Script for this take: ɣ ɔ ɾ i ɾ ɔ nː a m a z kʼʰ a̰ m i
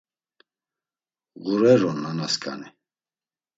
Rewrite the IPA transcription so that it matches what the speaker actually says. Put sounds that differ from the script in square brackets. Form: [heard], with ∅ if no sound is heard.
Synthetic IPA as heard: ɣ [u] ɾ [ɛ] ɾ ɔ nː a [n] a [s] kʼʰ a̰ [n] i